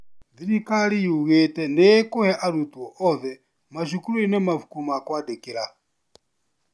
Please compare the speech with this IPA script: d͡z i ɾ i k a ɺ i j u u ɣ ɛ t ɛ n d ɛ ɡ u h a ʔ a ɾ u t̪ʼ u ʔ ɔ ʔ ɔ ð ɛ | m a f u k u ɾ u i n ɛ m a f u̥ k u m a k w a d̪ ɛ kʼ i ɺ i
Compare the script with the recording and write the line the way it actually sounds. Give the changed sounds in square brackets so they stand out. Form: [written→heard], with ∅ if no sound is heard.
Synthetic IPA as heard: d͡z i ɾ i k a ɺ i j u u ɣ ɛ t ɛ n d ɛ [ɡ→k] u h [a→ɛ] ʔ a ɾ u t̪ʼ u [ʔ→∅] ɔ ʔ ɔ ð ɛ | m a [f→ʃ] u k u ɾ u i n ɛ m a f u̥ k u m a k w a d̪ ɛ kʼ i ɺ [i→a]